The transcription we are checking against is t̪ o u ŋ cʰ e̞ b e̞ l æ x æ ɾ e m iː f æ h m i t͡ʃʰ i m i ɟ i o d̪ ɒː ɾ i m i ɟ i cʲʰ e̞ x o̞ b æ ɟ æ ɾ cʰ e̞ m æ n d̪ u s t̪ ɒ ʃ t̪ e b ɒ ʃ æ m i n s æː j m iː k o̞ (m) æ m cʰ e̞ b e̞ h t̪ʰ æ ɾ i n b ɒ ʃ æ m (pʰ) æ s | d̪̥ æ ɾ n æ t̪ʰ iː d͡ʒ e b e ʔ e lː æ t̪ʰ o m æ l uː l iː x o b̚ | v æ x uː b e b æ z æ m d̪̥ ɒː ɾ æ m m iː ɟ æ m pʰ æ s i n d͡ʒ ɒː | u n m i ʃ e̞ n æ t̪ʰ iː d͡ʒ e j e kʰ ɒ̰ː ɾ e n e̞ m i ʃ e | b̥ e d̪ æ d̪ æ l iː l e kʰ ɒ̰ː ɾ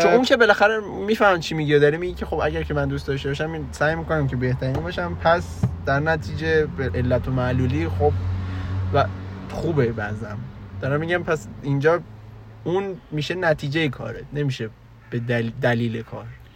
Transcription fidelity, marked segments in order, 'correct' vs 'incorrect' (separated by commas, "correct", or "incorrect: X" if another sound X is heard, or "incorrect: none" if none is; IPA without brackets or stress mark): incorrect: n, correct